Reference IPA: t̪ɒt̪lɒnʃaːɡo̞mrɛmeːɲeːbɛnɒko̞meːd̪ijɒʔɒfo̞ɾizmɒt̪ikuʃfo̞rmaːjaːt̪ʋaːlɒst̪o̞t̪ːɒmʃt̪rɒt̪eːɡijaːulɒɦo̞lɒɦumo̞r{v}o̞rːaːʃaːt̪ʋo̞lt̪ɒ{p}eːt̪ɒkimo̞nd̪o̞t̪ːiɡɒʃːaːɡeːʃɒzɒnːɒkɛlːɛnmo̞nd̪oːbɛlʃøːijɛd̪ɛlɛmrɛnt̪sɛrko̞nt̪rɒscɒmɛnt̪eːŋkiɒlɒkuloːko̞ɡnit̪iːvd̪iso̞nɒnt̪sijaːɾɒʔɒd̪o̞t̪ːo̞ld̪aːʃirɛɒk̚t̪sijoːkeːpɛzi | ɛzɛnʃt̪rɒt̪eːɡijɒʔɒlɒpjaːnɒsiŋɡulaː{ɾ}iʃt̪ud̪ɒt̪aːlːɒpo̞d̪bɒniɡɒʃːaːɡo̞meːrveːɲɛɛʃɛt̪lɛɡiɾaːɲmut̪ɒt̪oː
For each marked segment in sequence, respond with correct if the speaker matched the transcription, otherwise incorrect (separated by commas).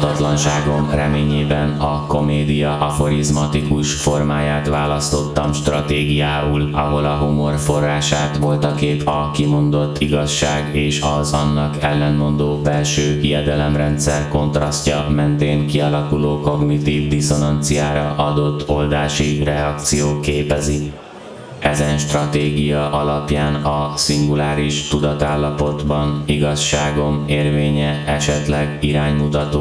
incorrect, incorrect, correct